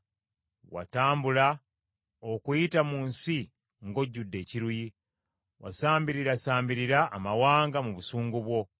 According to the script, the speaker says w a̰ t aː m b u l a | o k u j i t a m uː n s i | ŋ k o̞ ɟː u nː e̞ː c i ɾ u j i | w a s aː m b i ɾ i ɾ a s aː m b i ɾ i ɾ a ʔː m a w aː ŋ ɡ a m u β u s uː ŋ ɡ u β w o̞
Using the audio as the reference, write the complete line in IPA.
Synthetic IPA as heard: w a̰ t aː m b u l a | o k u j i t a m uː n s i | ŋ ɡ o̞ ɟː u dː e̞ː c i ɾ u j i | w a s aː m b i ɾ i ɾ a s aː m b i ɾ i ɾ a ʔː m a w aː ŋ ɡ a m u β u s uː ŋ ɡ u β w o̞